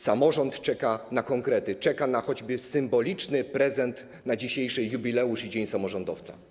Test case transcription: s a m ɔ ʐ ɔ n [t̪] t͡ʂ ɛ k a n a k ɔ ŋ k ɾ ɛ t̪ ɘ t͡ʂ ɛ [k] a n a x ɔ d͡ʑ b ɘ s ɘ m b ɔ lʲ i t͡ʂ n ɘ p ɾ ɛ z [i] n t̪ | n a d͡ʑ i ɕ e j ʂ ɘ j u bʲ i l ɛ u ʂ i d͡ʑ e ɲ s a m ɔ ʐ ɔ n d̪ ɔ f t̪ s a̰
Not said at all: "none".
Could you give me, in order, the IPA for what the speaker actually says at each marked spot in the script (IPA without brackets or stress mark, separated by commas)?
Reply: t̪, k, ɛ